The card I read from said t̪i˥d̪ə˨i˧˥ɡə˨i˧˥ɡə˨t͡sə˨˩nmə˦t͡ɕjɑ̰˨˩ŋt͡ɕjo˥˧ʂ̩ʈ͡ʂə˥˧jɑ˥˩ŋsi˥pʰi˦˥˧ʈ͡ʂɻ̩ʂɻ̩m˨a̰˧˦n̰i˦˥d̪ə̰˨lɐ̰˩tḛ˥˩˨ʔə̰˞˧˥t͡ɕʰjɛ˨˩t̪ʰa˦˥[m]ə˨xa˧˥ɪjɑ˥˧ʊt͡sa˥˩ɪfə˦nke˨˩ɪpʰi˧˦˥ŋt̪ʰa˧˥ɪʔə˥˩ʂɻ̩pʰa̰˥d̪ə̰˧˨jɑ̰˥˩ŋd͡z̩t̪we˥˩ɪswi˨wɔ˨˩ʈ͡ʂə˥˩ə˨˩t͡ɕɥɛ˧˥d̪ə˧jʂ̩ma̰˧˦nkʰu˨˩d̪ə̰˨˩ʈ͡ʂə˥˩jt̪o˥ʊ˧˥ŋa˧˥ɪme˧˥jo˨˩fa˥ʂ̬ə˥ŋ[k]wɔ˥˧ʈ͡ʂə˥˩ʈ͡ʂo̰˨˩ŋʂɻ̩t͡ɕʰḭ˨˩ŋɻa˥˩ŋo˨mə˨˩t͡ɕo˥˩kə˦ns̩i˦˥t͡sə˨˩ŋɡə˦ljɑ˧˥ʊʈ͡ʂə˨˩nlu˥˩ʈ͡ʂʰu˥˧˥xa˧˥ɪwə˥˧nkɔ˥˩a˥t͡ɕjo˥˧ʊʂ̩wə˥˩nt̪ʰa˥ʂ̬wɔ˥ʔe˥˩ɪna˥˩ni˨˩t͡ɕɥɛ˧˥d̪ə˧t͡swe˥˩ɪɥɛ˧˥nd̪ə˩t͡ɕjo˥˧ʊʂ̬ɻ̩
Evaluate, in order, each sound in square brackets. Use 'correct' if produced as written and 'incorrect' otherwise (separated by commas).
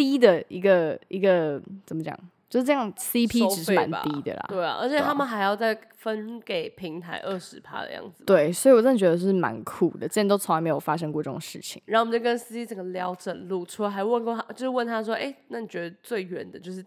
correct, correct